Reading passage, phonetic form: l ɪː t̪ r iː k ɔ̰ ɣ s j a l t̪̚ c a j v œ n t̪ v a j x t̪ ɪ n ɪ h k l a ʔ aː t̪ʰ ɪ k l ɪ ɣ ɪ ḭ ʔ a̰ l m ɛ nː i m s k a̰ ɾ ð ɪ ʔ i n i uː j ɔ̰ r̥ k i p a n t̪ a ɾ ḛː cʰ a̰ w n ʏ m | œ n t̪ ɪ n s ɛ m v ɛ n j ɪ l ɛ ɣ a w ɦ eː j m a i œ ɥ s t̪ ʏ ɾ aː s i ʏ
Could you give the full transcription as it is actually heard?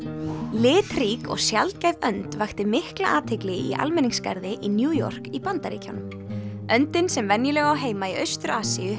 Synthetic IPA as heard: l ɪː t̪ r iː k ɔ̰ ɣ s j a l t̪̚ c a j v œ n t̪ v a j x t̪ ɪ m ɪ h k l a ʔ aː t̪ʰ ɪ k l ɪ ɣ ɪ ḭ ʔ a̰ l m ɛ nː i ŋ s k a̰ ɾ ð ɪ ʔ i n j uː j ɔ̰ r̥ k i p a n t̪ a ɾ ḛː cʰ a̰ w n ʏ m | œ n t̪ ɪ n s ɛ m v ɛ n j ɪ l ɛ ɣ a w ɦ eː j m a i œ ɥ s t̪ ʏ ɾ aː s i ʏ